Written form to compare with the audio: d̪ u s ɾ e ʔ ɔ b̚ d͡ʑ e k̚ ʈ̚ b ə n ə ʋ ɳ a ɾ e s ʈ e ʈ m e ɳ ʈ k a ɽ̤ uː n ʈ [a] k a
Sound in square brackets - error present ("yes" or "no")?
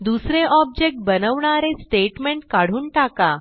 no